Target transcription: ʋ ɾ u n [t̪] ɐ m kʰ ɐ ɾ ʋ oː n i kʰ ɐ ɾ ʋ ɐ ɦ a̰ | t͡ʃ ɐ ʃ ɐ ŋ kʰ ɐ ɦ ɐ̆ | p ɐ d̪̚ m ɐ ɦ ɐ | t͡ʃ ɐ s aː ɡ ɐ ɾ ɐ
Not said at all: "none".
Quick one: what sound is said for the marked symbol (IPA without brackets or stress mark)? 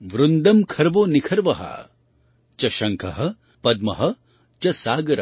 d̪